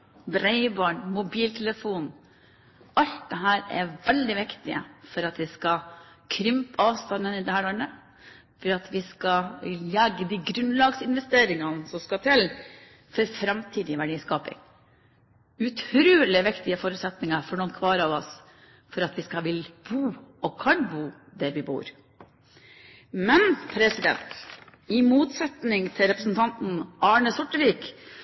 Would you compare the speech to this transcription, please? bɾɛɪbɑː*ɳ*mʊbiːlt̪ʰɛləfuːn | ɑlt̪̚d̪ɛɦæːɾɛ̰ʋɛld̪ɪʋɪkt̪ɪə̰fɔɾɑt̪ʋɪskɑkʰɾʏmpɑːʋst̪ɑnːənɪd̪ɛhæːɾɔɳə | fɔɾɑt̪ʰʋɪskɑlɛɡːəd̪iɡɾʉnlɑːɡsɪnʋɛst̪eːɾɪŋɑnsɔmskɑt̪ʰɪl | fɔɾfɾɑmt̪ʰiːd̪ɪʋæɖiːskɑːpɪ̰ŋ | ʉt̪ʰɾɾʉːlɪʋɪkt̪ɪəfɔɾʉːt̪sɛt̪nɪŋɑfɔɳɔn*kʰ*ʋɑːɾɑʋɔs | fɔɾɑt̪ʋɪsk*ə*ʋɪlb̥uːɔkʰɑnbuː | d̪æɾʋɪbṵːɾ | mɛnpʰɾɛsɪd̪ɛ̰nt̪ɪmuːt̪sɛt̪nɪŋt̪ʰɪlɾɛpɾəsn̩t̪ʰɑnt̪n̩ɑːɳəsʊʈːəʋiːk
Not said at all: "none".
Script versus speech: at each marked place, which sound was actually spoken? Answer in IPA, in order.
ɳ, kʰ, ɑ

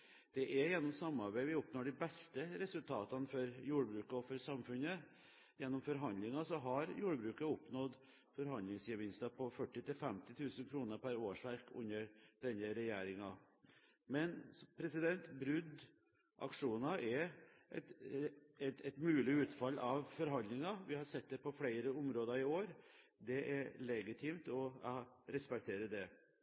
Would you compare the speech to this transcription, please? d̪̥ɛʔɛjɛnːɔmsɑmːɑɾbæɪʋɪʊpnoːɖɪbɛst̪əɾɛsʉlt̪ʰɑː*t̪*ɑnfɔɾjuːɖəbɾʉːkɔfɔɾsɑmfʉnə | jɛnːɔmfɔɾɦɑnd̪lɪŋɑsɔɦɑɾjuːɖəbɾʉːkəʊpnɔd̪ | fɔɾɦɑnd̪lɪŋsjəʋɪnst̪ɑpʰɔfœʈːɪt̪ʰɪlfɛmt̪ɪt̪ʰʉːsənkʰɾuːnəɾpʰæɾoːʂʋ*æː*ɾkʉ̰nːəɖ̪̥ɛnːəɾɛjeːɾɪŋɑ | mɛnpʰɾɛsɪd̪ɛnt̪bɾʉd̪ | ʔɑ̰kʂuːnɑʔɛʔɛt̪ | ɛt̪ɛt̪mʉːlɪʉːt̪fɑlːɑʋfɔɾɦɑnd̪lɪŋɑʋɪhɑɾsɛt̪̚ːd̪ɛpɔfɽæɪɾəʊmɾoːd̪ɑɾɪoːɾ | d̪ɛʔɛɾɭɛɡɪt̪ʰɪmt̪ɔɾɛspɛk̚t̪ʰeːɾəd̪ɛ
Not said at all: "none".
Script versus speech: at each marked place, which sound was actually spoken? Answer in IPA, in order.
t̪, æ

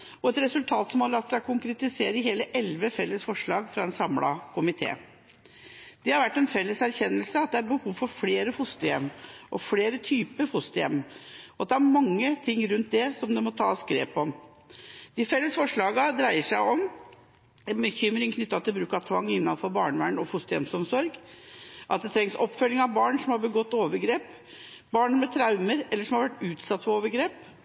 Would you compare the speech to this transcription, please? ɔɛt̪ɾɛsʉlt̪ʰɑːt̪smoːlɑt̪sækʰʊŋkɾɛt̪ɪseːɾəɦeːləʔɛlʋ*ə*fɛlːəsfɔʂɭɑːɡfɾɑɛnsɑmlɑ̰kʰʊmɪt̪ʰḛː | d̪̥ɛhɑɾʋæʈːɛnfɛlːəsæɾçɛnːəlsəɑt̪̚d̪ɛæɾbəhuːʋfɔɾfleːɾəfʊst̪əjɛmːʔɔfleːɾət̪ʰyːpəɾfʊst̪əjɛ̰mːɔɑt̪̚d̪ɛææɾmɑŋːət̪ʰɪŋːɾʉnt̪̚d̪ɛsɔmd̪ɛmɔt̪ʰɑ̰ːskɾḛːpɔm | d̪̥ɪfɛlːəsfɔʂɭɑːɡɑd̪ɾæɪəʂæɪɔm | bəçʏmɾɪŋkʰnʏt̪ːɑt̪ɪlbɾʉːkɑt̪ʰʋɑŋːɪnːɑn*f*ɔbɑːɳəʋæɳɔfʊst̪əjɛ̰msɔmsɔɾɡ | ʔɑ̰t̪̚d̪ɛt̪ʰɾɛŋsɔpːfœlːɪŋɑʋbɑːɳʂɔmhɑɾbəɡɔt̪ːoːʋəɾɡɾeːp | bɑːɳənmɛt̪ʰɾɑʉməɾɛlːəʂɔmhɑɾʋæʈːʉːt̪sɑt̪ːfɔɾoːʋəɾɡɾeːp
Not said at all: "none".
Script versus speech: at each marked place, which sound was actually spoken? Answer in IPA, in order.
ə, f

